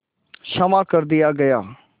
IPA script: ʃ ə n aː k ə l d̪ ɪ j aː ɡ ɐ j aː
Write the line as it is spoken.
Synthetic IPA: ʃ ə m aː k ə ɾ d̪ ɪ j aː ɡ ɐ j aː